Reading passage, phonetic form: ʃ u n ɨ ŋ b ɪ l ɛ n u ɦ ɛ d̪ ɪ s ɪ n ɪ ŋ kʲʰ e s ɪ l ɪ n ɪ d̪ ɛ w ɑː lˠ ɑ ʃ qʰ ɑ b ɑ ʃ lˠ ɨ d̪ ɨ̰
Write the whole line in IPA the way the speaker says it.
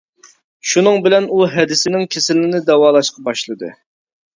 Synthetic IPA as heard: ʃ u n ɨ ŋ b ɪ l ɛ n u ɦ ɛ d̪ ɪ s ɪ n ɪ ŋ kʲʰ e s ɪ l ɪ n ɪ d̪ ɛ w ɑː lˠ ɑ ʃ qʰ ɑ b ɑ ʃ lˠ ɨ d̪ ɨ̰